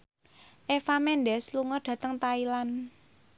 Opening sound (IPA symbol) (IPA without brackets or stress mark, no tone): ʔ